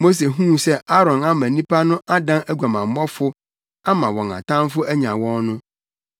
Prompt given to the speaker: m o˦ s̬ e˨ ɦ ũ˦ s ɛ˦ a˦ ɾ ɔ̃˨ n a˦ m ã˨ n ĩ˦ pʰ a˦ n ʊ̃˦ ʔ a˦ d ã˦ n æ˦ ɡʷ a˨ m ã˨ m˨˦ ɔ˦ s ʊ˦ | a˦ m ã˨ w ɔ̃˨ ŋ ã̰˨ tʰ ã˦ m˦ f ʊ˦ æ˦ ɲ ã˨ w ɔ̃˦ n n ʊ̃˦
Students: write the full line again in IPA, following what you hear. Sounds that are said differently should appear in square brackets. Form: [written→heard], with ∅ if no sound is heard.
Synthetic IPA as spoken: m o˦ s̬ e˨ ɦ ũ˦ s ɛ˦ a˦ ɾ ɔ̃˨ n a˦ m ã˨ n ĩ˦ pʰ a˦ n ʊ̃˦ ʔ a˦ d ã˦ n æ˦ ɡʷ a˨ m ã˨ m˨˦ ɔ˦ [s→f] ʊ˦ | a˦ m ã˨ w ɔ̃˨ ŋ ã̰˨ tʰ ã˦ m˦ f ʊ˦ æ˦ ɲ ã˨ w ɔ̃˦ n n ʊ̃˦